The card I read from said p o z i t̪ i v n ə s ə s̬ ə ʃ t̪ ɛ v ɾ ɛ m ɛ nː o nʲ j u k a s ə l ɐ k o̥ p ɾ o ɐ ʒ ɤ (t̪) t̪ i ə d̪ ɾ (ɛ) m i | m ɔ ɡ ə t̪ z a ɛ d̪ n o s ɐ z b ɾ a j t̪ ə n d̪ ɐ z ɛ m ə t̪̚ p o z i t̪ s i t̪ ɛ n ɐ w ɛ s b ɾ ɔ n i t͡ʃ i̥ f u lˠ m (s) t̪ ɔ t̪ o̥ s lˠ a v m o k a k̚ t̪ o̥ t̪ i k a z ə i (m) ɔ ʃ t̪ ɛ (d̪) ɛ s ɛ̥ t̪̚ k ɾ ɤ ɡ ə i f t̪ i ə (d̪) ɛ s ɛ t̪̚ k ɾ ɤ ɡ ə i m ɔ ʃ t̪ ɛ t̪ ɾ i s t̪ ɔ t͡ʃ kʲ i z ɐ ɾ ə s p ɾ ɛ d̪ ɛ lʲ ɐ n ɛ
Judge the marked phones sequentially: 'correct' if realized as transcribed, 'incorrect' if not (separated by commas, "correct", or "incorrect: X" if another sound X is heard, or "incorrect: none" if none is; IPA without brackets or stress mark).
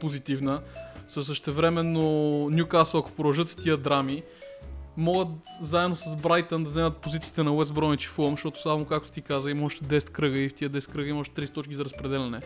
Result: correct, incorrect: a, incorrect: ʃ, correct, correct, correct